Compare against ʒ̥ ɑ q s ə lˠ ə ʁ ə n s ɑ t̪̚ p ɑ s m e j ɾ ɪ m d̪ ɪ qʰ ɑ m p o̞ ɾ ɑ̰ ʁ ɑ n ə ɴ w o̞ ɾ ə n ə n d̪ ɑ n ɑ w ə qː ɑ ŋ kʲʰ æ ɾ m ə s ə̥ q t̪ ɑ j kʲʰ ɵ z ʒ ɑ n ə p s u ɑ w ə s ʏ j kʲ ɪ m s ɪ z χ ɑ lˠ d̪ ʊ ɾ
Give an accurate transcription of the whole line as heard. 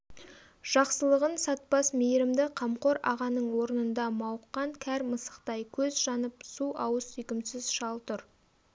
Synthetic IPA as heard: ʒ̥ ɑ q s ə lˠ ə ʁ ə n s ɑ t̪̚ p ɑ s m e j ɾ ɪ m d̪ ɪ qʰ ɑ m q o̞ ɾ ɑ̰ ʁ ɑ n ə ɴ w o̞ ɾ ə n ə n d̪ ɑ m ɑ w ə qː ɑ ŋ kʲʰ æ ɾ m ə s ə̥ q t̪ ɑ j kʲʰ ɵ z ʒ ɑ n ə p s u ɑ w ə s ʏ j kʲ ɪ m s ɪ z ʃ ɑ lˠ t̪ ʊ ɾ